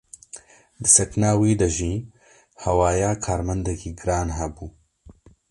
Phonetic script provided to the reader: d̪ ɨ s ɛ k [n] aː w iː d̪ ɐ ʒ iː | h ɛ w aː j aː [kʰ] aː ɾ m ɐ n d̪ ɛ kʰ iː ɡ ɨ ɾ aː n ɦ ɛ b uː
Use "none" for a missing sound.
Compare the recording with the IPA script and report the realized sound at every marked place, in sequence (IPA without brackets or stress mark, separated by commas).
n, kʰ